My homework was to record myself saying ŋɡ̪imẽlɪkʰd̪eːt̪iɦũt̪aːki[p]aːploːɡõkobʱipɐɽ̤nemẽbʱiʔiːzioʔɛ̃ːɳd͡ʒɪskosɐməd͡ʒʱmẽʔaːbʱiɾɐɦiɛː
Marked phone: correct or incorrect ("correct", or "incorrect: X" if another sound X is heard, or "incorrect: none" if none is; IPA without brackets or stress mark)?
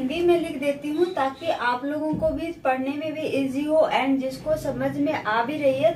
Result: incorrect: ʔ